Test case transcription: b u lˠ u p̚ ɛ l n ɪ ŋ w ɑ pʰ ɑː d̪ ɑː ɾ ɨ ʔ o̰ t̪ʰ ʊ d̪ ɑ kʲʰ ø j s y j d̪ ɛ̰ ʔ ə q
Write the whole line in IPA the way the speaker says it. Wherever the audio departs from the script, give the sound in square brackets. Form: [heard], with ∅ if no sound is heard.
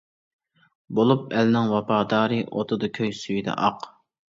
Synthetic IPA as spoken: b [o] lˠ u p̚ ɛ l n ɪ ŋ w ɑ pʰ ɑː d̪ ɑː ɾ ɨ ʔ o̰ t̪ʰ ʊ d̪ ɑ kʲʰ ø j s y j d̪ ɛ̰ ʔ [ɑ] q